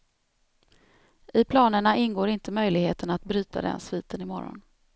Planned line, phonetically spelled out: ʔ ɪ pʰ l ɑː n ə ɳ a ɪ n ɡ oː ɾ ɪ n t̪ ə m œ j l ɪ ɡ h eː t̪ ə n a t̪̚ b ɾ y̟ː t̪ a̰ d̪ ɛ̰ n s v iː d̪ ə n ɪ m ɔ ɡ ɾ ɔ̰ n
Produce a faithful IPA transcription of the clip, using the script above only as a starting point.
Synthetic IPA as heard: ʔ ɪ pʰ l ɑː n ə ɳ a ɪ n ɡ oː ɾ ɪ n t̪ ə m œ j l ɪ ɡ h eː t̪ ə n a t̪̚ b ɾ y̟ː t̪ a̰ d̪ ɛ̰ n s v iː t̪ ə n ɪ m ɔ ɾ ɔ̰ n